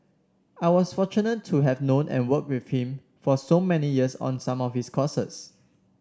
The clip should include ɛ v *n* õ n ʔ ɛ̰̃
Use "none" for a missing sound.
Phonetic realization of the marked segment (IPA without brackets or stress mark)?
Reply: n